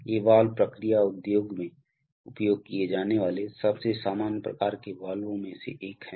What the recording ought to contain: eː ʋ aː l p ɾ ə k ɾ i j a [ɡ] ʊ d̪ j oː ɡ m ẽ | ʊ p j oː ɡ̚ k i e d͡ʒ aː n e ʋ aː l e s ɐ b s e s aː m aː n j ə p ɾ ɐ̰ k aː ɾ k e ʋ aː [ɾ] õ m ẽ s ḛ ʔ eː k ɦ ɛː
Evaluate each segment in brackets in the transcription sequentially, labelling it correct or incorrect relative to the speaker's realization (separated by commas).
incorrect, incorrect